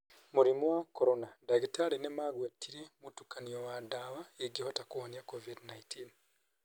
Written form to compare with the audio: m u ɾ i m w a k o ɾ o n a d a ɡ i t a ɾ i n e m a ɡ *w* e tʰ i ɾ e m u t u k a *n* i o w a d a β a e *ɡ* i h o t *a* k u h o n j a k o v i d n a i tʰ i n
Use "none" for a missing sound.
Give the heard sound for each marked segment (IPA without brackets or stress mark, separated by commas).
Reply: w, n, ɡ, a